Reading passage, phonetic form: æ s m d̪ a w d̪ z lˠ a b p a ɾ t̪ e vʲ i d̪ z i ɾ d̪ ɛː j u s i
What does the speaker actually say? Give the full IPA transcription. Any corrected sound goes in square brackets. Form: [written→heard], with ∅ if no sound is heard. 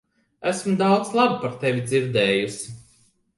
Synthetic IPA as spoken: æ s m d̪ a w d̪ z lˠ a b p a ɾ t̪ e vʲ i d̪ z i ɾ d̪ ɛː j u s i